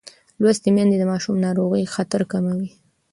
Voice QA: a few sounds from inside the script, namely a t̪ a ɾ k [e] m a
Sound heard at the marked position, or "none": a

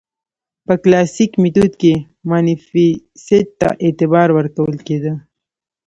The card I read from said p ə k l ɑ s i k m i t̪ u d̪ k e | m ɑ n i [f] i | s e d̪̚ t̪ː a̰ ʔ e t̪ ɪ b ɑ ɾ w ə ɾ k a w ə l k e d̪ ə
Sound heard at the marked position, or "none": f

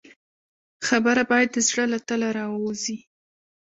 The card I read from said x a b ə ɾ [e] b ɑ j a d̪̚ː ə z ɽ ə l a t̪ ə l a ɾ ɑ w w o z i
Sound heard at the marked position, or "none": a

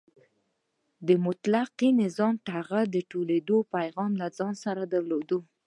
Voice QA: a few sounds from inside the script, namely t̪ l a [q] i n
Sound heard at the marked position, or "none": q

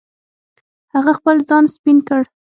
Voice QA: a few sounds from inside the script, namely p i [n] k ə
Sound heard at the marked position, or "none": n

